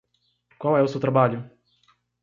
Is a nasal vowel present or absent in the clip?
absent